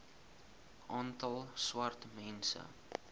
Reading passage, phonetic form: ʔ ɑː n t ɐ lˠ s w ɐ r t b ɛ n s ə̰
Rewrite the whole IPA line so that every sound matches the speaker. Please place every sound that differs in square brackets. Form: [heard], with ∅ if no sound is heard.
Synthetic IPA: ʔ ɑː n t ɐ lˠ s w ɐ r t [m] ɛ n s ə̰